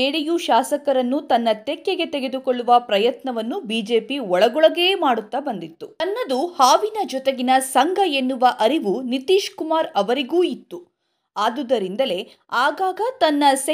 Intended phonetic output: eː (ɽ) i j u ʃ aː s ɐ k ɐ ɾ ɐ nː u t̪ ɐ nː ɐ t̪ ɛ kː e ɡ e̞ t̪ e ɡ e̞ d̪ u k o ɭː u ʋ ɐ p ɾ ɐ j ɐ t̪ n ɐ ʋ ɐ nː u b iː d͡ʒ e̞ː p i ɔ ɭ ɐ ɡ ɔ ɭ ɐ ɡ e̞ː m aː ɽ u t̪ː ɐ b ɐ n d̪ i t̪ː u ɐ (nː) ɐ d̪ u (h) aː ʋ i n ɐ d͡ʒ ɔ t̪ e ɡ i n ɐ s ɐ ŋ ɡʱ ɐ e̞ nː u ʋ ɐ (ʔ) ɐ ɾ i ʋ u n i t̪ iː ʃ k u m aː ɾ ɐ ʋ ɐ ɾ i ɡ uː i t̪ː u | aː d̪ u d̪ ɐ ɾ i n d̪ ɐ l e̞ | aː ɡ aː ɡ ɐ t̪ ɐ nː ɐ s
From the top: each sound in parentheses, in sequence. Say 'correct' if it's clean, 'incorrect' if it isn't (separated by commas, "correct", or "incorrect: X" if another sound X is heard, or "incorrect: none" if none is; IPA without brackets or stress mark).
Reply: correct, correct, correct, correct